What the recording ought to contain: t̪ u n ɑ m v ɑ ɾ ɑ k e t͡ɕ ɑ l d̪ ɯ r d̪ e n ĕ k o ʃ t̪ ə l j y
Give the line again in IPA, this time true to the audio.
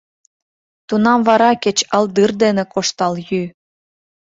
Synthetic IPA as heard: t̪ u n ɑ m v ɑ ɾ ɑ k e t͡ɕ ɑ l d̪ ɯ r d̪ e n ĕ k o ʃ t̪ ɑ l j y